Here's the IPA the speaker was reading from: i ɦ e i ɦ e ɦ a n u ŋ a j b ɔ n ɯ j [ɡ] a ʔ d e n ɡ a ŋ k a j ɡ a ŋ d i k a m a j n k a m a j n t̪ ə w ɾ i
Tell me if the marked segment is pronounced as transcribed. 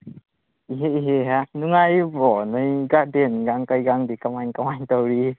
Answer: yes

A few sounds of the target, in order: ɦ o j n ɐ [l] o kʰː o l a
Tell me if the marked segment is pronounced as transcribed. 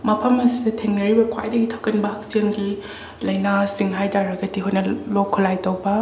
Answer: yes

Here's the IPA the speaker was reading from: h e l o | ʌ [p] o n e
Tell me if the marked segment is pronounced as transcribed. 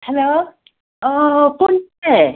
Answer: yes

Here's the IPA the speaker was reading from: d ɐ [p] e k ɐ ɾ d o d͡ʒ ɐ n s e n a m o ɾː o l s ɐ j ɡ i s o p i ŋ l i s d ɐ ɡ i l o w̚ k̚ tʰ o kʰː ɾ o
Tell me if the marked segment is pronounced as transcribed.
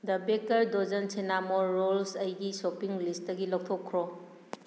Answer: no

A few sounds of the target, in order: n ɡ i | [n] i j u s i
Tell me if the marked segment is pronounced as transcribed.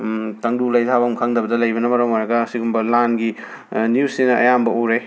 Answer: yes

